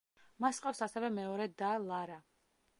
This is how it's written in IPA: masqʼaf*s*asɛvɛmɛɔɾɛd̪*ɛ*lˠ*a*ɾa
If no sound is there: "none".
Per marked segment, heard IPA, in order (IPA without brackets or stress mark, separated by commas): s, a, a